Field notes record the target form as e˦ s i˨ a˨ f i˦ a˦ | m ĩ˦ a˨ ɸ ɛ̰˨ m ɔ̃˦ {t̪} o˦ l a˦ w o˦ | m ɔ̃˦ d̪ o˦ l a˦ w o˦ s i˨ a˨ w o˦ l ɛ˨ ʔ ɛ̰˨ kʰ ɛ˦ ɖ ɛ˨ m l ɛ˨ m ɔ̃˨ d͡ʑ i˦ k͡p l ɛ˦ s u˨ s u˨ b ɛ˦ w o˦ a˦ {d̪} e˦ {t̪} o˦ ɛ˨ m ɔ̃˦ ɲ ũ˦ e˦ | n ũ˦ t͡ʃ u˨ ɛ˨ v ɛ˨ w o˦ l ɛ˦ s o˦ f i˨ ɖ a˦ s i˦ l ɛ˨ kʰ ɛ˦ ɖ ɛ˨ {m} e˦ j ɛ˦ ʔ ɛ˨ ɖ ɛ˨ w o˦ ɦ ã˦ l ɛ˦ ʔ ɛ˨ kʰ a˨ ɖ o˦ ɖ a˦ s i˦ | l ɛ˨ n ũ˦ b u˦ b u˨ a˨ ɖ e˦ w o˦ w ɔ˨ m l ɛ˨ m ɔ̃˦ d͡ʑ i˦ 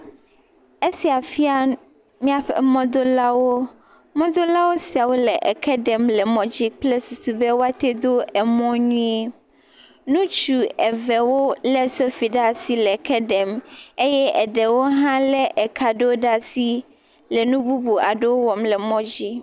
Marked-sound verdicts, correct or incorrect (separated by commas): incorrect, incorrect, incorrect, correct